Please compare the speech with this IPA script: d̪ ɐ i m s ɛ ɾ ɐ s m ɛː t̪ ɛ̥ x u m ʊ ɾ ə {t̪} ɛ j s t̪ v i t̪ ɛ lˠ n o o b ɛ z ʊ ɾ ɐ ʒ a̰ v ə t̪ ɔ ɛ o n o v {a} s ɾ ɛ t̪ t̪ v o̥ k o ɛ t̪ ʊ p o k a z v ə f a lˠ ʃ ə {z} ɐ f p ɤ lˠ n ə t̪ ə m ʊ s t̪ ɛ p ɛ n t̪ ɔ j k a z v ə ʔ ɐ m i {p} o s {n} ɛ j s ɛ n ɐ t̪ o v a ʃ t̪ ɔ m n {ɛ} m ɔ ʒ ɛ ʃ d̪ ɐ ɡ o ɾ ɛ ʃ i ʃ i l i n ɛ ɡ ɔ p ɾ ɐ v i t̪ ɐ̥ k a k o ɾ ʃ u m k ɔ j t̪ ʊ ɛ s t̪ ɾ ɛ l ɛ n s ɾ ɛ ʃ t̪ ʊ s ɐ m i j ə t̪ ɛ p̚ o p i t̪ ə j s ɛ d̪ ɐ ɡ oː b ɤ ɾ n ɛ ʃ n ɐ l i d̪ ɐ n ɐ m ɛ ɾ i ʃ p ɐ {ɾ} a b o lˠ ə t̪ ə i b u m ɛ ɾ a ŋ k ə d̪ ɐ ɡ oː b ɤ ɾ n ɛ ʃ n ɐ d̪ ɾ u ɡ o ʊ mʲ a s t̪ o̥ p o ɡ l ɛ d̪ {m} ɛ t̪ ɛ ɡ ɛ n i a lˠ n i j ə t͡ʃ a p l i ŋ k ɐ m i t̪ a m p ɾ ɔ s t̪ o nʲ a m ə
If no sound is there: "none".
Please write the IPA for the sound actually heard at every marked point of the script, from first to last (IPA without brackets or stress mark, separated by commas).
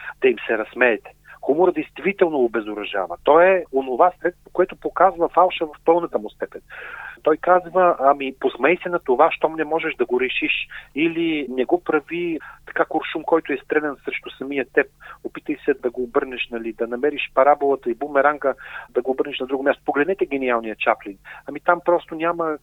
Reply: d̪, a, v, p, m, ɛ, ɾ, n